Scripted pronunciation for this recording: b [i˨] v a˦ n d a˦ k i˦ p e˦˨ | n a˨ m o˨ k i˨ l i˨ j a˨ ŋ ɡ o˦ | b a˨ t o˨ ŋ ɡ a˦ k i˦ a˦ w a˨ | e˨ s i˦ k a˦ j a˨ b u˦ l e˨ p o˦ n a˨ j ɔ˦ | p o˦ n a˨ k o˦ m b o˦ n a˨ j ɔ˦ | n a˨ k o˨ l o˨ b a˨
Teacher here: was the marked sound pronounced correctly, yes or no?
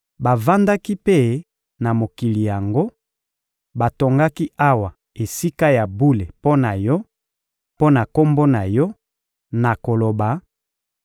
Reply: no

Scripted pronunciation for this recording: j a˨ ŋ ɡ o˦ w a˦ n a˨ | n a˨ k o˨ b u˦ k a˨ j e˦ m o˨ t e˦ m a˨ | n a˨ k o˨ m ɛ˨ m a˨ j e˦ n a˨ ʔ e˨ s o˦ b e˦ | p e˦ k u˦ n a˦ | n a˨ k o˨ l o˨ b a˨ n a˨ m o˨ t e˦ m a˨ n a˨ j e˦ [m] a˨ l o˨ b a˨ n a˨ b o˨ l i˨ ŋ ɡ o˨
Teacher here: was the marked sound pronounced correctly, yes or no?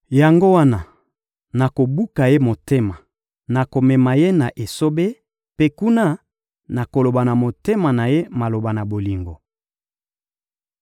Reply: yes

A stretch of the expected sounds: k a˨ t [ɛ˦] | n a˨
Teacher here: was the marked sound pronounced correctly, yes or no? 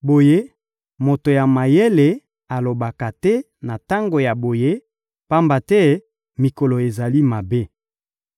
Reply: yes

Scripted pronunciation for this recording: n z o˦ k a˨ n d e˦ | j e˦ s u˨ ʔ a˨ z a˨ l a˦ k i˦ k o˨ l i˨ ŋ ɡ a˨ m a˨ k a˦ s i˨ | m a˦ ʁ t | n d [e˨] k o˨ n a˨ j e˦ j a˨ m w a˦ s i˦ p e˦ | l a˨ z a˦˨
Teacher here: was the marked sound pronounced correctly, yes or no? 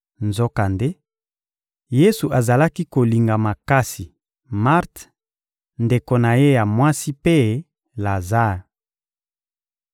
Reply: yes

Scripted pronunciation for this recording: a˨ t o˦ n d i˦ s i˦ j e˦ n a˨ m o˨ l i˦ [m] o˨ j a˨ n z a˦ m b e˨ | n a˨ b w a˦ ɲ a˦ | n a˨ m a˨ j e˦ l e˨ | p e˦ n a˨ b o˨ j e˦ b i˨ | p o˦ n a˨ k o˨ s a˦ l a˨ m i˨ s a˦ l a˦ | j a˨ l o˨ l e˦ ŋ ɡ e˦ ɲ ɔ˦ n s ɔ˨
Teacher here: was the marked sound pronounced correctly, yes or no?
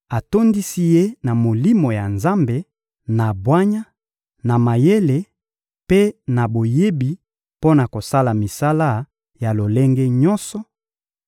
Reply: yes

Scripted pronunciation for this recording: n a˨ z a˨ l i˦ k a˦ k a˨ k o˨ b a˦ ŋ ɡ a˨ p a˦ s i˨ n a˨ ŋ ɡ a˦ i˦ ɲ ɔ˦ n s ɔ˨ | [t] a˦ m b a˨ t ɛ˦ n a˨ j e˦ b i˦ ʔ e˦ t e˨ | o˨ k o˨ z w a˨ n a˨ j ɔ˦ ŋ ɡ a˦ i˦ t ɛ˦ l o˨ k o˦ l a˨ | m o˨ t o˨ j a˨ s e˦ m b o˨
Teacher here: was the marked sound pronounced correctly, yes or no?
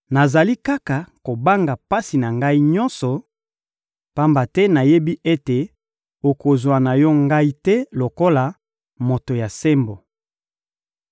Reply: no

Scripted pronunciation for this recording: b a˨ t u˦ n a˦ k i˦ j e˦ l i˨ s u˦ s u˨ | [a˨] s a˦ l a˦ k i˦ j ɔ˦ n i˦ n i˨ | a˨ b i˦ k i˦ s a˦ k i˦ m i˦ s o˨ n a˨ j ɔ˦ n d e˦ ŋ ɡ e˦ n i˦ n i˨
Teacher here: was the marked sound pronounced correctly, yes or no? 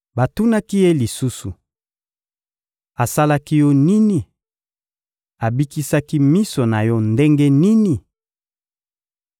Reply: yes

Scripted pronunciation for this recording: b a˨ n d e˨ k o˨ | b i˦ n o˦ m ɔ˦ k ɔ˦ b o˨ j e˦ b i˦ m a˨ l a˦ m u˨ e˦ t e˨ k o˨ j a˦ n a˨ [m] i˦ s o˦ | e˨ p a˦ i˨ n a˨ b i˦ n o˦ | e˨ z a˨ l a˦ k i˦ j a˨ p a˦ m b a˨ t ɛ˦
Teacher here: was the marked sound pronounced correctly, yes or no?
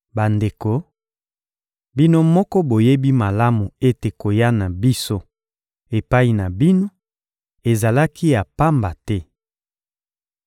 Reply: no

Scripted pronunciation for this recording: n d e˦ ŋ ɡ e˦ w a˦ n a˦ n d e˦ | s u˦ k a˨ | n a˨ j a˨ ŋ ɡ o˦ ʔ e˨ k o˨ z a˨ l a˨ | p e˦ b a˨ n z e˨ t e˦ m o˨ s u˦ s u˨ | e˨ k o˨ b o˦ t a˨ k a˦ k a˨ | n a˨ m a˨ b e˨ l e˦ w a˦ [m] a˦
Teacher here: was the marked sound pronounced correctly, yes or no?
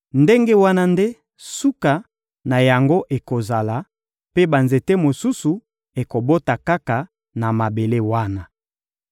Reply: no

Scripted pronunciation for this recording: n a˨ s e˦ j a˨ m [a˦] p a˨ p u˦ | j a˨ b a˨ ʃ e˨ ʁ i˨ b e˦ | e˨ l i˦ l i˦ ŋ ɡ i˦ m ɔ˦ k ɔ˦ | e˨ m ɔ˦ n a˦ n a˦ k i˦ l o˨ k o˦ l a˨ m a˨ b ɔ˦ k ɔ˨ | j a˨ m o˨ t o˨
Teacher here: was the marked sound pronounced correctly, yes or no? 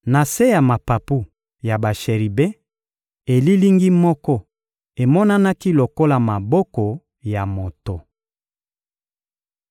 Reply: no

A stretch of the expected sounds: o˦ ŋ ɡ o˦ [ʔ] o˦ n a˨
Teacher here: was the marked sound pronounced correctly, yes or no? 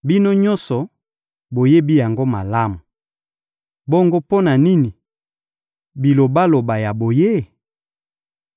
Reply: no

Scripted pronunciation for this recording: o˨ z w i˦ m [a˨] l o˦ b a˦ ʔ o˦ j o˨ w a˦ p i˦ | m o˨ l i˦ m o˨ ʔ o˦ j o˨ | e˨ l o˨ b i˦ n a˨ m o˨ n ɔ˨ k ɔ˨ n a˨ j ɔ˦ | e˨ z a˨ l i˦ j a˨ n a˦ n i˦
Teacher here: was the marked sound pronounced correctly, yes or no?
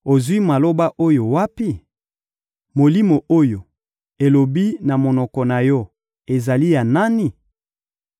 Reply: yes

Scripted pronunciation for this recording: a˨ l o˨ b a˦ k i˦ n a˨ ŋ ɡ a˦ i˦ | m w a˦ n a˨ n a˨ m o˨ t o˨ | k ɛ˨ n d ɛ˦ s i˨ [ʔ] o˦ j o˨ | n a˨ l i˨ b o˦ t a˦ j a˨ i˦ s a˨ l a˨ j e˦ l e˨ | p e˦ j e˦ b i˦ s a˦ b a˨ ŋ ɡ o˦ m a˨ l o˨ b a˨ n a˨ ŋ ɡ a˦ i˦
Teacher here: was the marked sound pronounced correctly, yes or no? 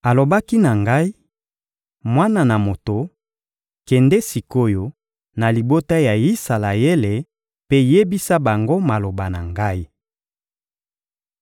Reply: no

